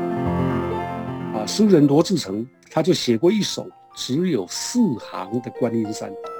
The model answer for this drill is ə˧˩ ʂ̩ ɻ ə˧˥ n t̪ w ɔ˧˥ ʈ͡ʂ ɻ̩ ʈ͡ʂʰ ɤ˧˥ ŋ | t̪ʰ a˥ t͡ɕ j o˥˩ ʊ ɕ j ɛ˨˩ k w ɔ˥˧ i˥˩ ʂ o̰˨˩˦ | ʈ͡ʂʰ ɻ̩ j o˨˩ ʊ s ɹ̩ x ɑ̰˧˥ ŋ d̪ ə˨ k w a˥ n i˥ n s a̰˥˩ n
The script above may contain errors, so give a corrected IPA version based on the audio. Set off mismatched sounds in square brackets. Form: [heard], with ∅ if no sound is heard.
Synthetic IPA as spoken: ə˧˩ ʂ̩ ɻ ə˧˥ n t̪ w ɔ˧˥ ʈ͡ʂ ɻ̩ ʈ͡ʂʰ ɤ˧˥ ŋ | t̪ʰ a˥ t͡ɕ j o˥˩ ʊ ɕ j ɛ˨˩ k w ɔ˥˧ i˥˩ ʂ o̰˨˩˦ | [ʈ͡ʂ] ɻ̩ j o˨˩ ʊ s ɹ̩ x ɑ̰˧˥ ŋ d̪ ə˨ k w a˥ n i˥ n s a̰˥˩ n